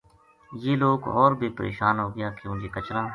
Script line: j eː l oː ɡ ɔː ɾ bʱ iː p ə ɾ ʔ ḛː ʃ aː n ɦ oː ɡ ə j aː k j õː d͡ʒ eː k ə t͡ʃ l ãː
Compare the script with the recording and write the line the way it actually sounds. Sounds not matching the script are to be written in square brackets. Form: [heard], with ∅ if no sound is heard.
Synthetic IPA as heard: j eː l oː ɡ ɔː ɾ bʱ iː p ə ɾ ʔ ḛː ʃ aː n ɦ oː ɡ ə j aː k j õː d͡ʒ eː k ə t͡ʃ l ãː